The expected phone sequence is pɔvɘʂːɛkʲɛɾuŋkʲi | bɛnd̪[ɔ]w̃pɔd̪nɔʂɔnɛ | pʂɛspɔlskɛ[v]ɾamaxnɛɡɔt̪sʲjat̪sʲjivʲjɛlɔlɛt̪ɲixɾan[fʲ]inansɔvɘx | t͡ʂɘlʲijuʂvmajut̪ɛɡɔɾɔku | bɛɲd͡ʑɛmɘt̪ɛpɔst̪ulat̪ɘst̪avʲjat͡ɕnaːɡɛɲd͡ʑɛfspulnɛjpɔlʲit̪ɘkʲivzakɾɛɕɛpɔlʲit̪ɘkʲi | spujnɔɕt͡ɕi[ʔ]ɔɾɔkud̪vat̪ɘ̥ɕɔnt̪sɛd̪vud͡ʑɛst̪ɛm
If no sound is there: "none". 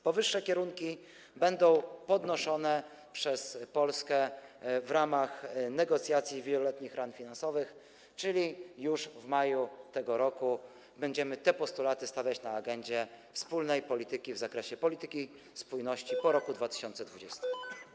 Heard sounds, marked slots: ɔ̃, v, fʲ, p

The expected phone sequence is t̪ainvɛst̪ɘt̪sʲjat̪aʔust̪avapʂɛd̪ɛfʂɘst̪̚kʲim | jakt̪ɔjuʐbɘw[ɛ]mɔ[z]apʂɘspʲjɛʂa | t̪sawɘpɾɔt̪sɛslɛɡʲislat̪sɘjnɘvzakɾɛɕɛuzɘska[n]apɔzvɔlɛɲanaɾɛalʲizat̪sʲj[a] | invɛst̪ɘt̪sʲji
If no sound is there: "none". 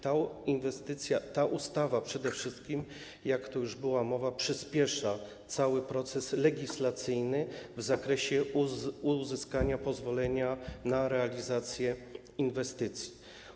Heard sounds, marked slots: a, v, ɲ, ɛ

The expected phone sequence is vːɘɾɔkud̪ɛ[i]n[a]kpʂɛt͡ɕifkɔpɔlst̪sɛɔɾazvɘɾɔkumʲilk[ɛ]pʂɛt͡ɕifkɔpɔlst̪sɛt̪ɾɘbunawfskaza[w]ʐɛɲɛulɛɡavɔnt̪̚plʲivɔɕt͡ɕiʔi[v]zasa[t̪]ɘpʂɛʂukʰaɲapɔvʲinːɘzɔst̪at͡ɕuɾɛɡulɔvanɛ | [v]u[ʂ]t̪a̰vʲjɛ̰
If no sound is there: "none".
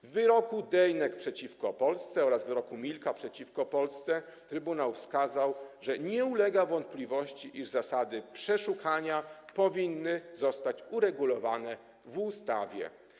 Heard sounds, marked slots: j, ɛ, a, w, ʐ, d̪, v, s

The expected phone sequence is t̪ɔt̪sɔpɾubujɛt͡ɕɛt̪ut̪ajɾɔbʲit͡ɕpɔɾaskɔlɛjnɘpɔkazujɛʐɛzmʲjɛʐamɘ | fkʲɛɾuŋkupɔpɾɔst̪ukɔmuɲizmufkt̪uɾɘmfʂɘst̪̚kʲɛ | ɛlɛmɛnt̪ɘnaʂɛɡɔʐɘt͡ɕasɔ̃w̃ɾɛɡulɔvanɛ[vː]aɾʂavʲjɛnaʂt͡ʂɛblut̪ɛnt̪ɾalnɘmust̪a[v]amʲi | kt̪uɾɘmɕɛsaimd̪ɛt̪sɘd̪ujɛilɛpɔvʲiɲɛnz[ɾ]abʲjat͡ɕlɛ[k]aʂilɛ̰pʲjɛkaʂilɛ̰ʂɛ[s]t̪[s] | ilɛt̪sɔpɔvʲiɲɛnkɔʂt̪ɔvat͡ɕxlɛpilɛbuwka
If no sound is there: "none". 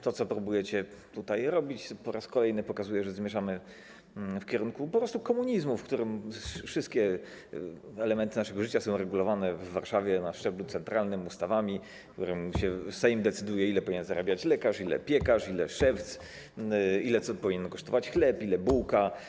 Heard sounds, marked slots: vː, v, ɾ, k, f, s

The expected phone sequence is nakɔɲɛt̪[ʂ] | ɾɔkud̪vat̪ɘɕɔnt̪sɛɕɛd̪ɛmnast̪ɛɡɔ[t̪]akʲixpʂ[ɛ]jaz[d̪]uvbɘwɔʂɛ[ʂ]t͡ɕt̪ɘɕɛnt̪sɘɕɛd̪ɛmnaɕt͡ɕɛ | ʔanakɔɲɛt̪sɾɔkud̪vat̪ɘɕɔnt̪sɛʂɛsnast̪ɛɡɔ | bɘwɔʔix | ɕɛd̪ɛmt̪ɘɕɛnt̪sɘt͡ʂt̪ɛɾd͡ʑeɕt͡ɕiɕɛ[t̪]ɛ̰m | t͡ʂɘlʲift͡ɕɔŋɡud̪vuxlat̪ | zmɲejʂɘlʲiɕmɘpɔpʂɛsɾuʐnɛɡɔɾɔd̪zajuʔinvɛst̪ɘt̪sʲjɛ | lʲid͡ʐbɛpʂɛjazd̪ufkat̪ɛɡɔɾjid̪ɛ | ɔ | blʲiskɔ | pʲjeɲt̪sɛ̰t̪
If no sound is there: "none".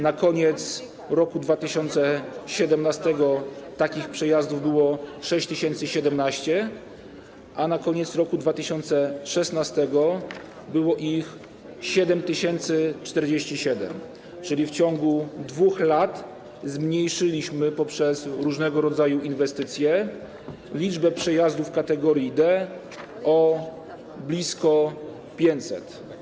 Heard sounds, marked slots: s, t̪, ɛ, d̪, ɕ, d̪

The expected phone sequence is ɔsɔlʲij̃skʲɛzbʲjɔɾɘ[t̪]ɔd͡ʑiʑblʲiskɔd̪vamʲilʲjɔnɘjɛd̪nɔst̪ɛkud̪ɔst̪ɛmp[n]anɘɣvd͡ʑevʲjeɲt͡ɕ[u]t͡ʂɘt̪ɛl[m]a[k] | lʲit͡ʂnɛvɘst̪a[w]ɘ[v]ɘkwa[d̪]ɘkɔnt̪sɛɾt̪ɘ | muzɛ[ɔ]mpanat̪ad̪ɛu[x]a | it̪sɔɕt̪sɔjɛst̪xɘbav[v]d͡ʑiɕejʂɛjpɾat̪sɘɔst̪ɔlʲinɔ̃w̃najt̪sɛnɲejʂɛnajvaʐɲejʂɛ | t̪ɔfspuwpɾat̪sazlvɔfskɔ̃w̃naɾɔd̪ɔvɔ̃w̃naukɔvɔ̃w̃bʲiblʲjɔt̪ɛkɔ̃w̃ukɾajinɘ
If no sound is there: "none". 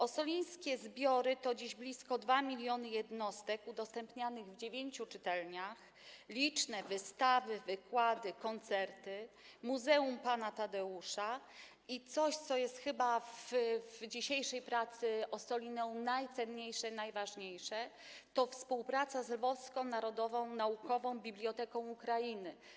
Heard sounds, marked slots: t̪, ɲ, u, ɲ, x, v, v, d̪, u, ʂ, v

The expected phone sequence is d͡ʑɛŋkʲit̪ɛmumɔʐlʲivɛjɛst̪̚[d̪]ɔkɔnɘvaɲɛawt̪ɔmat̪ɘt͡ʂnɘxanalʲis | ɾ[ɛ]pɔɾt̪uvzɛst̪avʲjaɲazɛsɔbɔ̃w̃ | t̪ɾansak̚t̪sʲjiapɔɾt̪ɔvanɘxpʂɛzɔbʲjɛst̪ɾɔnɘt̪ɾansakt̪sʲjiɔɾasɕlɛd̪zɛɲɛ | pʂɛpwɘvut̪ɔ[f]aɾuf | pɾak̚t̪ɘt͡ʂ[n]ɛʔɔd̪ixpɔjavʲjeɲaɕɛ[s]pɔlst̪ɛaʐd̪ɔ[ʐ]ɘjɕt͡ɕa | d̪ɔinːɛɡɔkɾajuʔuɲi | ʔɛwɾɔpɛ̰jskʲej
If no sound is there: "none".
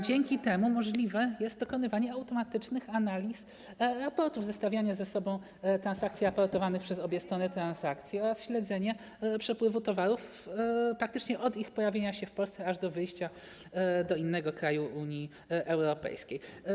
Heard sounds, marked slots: d̪, a, v, ɲ, f, v

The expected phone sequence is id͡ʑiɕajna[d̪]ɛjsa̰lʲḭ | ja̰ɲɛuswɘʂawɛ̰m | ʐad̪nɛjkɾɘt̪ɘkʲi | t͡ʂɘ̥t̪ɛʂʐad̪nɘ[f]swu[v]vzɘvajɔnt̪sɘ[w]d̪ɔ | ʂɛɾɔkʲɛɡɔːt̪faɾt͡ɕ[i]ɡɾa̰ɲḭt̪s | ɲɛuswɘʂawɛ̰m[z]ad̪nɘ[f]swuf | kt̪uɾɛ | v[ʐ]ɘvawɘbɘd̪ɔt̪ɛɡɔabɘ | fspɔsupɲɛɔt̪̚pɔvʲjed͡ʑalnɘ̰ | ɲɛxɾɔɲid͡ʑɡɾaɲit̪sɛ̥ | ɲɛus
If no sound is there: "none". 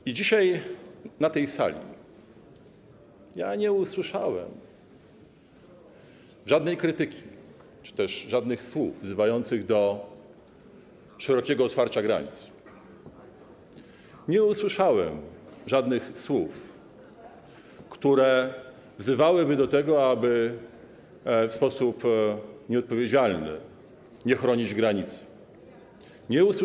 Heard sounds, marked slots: t̪, x, v, ɣ, a, ʐ, x, z

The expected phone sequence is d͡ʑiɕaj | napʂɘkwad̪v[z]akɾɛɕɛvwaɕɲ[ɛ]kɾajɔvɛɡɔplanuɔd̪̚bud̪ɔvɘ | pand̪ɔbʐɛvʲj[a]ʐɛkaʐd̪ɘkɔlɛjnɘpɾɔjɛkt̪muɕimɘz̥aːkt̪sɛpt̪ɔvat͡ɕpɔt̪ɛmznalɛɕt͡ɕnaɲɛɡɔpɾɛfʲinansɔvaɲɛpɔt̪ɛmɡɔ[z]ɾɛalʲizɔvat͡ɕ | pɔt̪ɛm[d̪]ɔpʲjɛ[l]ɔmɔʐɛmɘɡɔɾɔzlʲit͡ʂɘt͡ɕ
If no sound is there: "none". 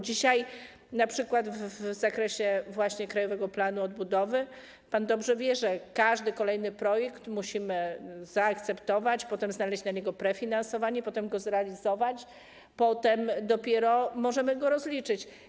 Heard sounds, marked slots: z, ɛ, ɛ, z, d̪, ɾ

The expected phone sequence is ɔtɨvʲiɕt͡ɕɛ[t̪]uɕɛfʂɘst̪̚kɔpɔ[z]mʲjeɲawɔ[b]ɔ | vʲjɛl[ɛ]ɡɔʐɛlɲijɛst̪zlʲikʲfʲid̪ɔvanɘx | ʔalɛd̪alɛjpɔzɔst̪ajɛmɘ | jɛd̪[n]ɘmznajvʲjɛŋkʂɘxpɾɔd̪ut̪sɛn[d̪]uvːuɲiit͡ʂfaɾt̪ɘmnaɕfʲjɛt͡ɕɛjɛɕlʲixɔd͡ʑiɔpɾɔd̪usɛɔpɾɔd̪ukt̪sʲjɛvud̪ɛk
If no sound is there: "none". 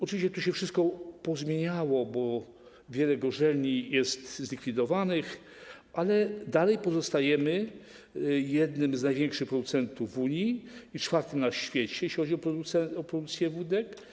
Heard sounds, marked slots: t̪, z, b, ɛ, n, t̪

